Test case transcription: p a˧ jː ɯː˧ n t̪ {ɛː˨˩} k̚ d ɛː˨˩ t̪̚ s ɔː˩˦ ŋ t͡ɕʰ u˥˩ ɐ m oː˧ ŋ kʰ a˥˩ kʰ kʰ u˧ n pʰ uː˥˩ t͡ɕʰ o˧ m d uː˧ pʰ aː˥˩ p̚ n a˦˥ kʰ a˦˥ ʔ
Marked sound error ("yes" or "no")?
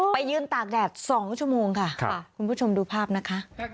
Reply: yes